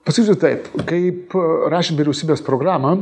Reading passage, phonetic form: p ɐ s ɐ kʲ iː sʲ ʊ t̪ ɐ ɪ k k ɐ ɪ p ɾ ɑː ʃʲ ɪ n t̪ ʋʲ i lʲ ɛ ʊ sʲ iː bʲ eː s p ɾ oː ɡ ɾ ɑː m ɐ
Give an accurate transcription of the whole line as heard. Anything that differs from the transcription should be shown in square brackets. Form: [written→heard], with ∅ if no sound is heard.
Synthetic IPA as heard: p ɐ s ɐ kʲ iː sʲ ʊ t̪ ɐ ɪ [k→p] k ɐ ɪ p ɾ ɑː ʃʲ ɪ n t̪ ʋʲ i [lʲ→ɾʲ] ɛ ʊ sʲ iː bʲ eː s p ɾ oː ɡ ɾ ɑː m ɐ